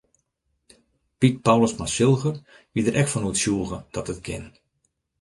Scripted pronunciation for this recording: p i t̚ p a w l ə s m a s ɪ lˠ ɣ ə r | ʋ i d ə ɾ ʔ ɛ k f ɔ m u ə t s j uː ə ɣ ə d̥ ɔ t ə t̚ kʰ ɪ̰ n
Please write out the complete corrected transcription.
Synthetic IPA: p i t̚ p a w l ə s m a s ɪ lˠ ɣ ə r | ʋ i d ə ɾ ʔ ɛ k f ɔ n u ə t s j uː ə ɣ ə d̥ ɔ t ə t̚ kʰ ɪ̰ n